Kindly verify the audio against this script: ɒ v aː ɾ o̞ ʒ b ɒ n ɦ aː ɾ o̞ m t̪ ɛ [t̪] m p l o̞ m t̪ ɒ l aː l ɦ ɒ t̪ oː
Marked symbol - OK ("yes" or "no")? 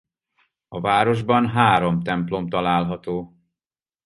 no